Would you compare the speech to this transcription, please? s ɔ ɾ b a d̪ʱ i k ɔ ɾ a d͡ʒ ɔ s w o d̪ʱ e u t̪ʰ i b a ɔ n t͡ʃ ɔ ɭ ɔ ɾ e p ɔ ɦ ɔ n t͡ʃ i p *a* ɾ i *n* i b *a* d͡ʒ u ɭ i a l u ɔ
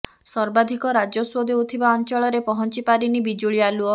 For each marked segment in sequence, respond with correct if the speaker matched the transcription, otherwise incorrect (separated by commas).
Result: correct, correct, incorrect